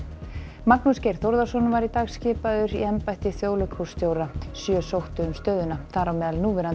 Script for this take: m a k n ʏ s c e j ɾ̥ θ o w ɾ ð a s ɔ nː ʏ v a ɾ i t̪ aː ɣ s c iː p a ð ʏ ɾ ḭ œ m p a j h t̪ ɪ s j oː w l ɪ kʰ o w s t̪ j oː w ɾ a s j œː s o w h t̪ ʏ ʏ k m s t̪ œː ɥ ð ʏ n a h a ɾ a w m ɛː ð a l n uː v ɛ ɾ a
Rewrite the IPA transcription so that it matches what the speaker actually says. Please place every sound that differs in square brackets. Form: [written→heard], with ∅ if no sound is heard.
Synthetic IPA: m a k n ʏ s c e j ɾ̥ θ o w ɾ ð a s ɔ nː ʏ v a ɾ i t̪ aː ɣ s c [iː→ɪː] p a ð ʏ ɾ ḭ [œ→ɛ] m p a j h t̪ ɪ [s→θ] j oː w l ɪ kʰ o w s t̪ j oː w ɾ a s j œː s o w h t̪ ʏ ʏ [k→∅] m s t̪ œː ɥ ð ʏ n a [h→θ] a ɾ a w m ɛː ð a l n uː v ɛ ɾ a